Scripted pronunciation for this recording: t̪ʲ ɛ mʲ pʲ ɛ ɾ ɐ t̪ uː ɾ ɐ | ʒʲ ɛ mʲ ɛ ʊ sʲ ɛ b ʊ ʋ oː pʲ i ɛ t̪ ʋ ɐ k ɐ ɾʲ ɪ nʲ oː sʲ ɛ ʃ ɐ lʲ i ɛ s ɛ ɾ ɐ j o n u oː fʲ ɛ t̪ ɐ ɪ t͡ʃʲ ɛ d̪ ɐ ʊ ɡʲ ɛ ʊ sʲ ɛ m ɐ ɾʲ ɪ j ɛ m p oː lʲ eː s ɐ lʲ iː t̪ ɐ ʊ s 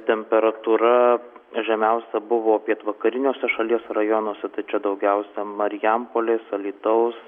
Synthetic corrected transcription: t̪ʲ ɛ mʲ pʲ ɛ ɾ ɐ t̪ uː ɾ ɐ | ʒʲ ɛ mʲ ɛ ʊ sʲ ɛ b ʊ ʋ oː pʲ i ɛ t̪ ʋ ɐ k ɐ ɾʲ ɪ nʲ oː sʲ ɛ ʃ ɐ lʲ i ɛ s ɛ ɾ ɐ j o n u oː sʲ ɛ t̪ ɐ ɪ t͡ʃʲ ɛ d̪ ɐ ʊ ɡʲ ɛ ʊ sʲ ɛ m ɐ ɾʲ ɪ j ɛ m p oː lʲ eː s ɐ lʲ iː t̪ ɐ ʊ s